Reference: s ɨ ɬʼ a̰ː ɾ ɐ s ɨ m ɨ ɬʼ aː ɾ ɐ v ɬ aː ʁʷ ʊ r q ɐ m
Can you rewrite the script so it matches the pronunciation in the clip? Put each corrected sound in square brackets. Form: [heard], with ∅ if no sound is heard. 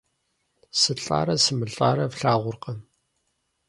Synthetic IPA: s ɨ ɬʼ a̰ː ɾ ɐ s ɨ m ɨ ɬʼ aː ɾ ɐ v ɬ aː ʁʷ ʊ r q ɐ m

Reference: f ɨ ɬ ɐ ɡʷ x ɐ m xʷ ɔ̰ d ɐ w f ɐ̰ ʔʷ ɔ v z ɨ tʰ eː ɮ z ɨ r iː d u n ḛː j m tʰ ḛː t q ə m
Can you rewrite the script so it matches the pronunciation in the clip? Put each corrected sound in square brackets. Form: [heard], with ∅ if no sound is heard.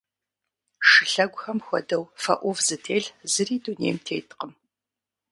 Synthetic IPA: [ʂ] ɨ ɬ ɐ ɡʷ x ɐ m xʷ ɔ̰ d ɐ w f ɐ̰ ʔʷ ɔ v z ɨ tʰ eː ɮ z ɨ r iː d u n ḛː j m tʰ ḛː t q ə m

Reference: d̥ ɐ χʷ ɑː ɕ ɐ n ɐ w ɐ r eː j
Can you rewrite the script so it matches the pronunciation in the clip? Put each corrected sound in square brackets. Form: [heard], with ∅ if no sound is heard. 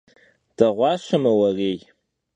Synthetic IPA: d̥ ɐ [ʁʷ] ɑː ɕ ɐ [m] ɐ w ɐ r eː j

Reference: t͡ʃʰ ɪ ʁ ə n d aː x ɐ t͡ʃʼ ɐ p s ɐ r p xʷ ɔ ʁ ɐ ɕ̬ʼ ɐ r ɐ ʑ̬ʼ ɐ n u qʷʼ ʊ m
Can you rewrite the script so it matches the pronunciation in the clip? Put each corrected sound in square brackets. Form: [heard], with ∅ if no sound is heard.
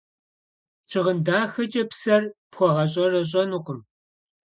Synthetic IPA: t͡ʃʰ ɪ ʁ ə n d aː x ɐ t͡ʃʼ ɐ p s ɐ r p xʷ ɔ ʁ ɐ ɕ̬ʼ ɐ r ɐ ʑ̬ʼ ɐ n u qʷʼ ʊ m

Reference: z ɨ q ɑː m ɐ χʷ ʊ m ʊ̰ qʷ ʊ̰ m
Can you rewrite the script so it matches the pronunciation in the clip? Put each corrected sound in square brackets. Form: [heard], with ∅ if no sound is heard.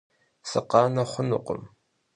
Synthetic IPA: [s] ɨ q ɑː [n] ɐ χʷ ʊ [n] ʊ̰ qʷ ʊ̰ m

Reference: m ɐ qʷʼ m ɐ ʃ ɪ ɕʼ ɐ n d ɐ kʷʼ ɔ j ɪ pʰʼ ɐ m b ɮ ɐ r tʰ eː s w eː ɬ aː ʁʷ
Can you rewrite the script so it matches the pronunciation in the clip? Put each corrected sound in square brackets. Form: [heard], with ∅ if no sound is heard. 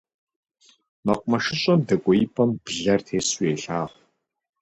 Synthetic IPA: m ɐ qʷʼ m ɐ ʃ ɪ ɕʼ ɐ [m] d ɐ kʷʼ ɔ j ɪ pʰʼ ɐ m b ɮ ɐ r tʰ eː s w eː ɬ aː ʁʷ

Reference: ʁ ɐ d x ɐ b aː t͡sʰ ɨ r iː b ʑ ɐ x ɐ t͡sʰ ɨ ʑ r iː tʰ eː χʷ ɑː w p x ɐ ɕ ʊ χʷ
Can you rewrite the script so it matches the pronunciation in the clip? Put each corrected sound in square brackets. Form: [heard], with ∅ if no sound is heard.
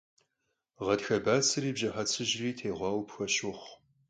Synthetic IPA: ʁ ɐ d x ɐ b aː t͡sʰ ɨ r iː b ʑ ɐ [ħ] ɐ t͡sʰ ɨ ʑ r iː tʰ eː [ʁʷ] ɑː w p x ɐ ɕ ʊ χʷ

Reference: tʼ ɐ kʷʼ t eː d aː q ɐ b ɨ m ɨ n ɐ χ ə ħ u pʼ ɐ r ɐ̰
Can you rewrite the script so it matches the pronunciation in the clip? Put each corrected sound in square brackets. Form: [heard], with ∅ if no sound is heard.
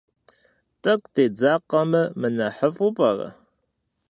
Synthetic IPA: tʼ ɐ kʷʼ t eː [d͡z] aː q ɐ [m] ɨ m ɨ n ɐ [ħ] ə [f] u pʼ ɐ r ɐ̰

